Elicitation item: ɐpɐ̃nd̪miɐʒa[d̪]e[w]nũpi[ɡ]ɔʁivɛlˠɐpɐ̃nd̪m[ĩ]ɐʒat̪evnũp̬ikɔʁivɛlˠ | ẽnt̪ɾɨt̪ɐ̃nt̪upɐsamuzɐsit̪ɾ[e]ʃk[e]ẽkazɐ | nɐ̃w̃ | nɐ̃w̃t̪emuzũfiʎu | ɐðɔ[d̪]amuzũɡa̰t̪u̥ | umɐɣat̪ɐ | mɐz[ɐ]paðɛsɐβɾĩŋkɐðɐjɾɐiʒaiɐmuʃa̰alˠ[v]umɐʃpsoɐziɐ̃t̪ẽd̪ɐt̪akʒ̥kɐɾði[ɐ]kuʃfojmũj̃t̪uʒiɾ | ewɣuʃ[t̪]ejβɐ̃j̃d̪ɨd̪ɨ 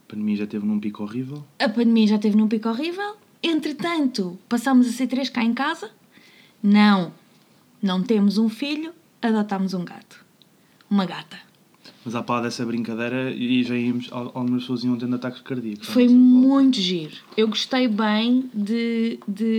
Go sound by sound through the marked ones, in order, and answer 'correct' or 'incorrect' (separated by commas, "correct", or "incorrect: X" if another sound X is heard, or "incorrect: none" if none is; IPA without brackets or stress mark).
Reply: incorrect: t̪, incorrect: v, incorrect: k, incorrect: i, correct, incorrect: a, incorrect: t̪, incorrect: a, incorrect: ɣ, correct, correct